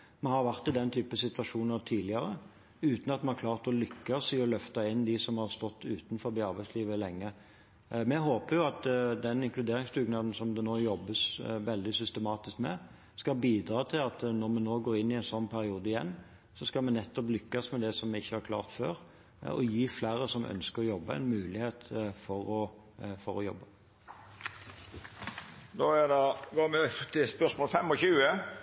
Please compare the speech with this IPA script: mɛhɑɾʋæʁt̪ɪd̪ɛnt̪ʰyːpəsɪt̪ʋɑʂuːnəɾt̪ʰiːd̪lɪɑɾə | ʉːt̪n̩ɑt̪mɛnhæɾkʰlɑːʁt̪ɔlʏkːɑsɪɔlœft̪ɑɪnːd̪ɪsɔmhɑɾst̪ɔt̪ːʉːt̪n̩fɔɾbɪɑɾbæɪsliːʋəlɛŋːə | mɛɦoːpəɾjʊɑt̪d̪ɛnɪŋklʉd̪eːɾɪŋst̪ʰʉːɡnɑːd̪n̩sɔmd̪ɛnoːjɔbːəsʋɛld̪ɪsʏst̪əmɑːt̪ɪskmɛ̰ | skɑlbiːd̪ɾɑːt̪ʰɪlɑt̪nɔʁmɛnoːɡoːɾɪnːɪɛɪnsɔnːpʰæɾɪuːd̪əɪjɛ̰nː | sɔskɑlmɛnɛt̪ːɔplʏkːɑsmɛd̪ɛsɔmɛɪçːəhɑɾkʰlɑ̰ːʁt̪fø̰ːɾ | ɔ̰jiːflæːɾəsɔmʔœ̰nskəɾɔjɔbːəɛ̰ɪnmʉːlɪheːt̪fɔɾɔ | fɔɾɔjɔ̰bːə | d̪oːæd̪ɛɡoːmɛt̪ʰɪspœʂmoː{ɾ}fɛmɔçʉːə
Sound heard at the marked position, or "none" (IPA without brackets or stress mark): l